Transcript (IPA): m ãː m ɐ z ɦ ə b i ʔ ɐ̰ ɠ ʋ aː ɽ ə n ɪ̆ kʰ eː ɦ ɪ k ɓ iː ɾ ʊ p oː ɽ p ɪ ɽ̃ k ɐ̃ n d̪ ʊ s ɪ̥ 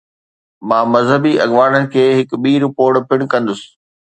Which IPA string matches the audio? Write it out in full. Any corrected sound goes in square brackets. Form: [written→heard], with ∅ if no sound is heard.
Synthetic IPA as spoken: m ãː m ɐ z ɦ ə b i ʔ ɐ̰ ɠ ʋ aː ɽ ə n ɪ̆ kʰ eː ɦ ɪ k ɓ iː ɾ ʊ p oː ɽ p ɪ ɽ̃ k ɐ̃ n d̪ ʊ s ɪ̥